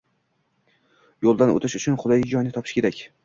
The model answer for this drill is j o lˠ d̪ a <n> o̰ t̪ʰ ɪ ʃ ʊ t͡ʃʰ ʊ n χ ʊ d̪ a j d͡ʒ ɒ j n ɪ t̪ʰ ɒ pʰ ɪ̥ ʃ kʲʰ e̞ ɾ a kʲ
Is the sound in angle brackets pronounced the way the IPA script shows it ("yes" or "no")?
yes